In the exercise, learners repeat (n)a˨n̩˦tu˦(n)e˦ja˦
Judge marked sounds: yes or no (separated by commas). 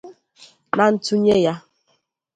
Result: yes, no